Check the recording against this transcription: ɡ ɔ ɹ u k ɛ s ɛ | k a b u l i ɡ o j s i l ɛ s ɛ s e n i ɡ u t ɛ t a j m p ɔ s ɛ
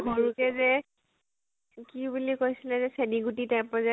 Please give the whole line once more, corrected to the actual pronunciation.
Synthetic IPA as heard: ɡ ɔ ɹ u k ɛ z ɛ | k i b u l i k o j s i l ɛ z ɛ s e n i ɡ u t i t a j m p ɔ z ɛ